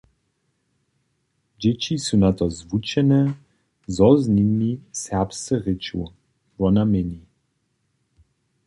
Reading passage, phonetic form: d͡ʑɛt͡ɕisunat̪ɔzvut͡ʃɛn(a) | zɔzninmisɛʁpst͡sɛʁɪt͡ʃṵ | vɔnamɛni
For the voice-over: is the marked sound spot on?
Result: no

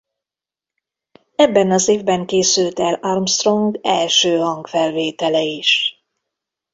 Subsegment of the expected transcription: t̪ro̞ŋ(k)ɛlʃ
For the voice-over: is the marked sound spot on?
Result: no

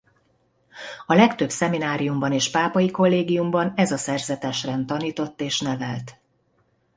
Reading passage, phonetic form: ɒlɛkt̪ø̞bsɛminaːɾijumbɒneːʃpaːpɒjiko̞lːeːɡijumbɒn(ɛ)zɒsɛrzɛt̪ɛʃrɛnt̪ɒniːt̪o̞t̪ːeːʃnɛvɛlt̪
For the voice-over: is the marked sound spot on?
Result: yes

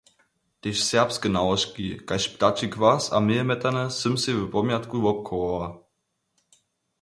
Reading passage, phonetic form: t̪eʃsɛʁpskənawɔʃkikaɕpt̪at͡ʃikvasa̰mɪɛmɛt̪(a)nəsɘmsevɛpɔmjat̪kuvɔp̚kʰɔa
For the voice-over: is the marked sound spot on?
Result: yes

